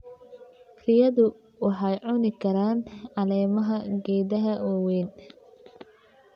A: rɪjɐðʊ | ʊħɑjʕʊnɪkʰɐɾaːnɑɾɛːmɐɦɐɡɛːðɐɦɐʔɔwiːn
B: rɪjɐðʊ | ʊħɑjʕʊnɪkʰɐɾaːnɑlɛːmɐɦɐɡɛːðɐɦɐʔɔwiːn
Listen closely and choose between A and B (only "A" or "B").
B